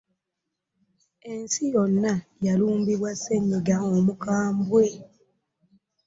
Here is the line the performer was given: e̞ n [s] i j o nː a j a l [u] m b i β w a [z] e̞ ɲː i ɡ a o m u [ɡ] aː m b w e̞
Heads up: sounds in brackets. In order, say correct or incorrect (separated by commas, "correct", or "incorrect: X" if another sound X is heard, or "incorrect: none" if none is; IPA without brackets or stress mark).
correct, incorrect: uː, incorrect: s, incorrect: k